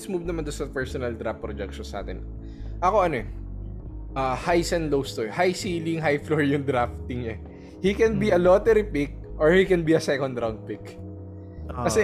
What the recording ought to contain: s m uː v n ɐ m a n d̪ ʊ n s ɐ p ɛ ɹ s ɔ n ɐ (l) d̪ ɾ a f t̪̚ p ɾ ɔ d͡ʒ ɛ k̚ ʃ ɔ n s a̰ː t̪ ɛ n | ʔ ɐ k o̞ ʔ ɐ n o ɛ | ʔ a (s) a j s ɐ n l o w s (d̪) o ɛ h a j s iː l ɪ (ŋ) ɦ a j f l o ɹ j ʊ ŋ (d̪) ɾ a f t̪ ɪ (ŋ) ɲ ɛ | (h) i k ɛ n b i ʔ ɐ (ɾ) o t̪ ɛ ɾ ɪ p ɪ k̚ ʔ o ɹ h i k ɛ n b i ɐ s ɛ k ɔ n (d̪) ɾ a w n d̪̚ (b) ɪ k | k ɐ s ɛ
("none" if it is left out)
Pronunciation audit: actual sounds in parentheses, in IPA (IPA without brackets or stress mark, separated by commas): l, h, t̪, ŋ, d̪, ŋ, h, l, d̪, p